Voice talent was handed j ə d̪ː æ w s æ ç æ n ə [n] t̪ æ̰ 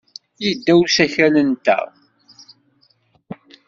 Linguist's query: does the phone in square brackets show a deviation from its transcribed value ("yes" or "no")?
no